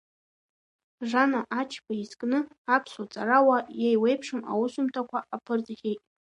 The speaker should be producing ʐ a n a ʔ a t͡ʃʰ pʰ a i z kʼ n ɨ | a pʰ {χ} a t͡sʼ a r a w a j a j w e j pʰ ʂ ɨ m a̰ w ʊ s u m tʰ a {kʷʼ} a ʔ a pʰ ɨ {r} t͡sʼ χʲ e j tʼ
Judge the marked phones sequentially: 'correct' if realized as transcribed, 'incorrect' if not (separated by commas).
incorrect, incorrect, correct